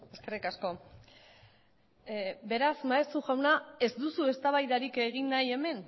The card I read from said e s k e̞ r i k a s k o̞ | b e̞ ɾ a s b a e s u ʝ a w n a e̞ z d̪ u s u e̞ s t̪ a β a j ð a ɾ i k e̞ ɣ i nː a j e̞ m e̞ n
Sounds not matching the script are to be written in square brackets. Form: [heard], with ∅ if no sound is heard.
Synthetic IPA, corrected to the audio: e s k e̞ r i k a s k o̞ | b e̞ ɾ a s [m] a e s u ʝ a w n a e̞ z d̪ u s u e̞ s t̪ a β a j ð a ɾ i k e̞ ɣ i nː a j e̞ m e̞ n